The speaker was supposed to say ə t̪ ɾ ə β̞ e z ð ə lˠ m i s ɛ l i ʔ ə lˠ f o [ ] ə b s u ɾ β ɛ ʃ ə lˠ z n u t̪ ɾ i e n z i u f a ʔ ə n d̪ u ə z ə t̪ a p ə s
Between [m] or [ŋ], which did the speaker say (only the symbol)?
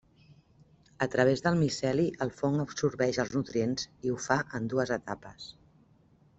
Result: ŋ